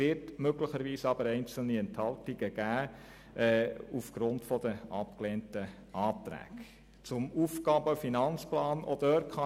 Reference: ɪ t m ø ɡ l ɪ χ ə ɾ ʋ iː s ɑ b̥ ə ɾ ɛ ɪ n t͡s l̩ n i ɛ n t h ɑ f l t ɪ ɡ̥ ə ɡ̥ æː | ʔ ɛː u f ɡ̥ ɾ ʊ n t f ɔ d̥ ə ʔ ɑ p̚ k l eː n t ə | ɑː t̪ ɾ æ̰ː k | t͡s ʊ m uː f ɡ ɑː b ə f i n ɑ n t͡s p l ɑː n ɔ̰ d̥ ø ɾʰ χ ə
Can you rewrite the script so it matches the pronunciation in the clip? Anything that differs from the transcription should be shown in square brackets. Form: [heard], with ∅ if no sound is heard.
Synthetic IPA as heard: ɪ t m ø ɡ l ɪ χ ə ɾ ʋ iː s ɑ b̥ ə ɾ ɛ ɪ n t͡s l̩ n i ɛ n t h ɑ [∅] l t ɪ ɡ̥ ə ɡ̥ æː | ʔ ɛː u f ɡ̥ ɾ ʊ n t f ɔ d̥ ə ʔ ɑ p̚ k l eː n t ə | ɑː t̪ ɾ æ̰ː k | t͡s ʊ m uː f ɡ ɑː b ə f i n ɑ n t͡s p l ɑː n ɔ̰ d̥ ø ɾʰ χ [ɑ]